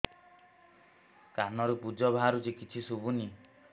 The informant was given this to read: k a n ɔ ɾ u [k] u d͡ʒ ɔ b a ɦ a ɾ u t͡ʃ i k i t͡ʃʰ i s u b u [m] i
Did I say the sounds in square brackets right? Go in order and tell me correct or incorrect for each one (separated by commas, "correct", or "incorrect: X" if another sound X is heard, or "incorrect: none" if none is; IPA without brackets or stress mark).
incorrect: p, incorrect: n